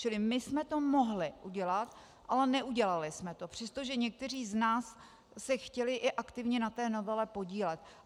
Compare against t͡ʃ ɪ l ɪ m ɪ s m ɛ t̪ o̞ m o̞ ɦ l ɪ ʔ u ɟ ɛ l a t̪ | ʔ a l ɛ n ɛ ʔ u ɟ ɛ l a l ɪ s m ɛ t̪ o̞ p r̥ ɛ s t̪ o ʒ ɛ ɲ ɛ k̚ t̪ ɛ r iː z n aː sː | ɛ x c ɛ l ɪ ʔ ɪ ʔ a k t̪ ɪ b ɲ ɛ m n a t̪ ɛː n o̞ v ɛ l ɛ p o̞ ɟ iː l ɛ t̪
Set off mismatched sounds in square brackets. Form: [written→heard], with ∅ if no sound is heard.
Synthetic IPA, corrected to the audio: t͡ʃ ɪ l ɪ m ɪ s m ɛ t̪ o̞ m o̞ ɦ l ɪ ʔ u ɟ ɛ l a t̪ | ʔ a l ɛ n ɛ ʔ u ɟ ɛ l a l ɪ s m ɛ t̪ o̞ p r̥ ɛ s t̪ o ʒ ɛ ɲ ɛ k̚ t̪ ɛ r iː z n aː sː | ɛ x c ɛ l ɪ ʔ ɪ ʔ a k t̪ ɪ [b→v] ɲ ɛ [m→∅] n a t̪ ɛː n o̞ v ɛ l ɛ p o̞ ɟ iː l ɛ t̪